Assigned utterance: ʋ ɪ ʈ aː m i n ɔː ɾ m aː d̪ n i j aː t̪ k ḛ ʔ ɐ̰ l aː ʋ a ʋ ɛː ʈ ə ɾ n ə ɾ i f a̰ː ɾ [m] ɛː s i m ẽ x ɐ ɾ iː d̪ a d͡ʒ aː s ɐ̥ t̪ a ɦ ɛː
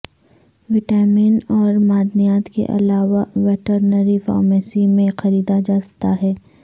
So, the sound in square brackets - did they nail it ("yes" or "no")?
yes